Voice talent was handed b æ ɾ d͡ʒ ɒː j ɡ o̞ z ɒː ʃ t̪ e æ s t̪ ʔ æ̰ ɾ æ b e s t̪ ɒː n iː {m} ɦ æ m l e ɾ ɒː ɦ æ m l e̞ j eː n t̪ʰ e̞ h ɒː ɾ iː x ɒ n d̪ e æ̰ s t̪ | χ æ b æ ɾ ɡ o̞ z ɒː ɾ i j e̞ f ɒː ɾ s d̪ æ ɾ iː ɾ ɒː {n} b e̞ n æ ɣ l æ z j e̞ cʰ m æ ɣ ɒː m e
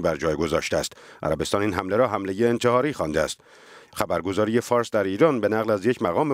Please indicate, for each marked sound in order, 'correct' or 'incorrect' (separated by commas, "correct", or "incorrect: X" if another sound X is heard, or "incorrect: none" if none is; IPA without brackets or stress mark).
incorrect: n, correct